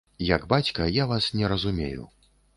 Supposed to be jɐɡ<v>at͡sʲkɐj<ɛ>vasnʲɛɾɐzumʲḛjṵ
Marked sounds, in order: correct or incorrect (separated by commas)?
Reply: incorrect, incorrect